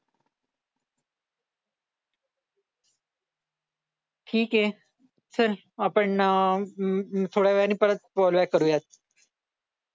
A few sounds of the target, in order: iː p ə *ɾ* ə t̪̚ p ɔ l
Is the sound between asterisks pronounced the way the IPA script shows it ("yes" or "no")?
yes